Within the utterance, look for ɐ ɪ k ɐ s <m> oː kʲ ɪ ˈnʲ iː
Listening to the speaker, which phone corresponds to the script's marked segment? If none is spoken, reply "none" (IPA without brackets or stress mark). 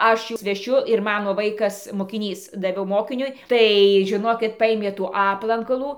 m